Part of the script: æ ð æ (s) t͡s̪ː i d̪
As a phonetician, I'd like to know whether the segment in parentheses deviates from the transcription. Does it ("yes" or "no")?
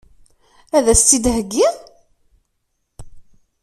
no